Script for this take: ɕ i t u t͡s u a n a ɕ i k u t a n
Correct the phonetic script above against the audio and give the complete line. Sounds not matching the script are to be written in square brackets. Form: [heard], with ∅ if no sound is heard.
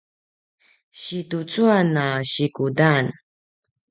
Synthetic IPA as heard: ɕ i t u t͡s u a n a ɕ i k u [d] a n